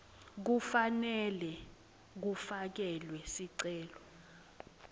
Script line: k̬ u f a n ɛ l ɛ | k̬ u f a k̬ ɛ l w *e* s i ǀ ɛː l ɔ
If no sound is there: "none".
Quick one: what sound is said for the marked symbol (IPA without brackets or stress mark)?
ɛ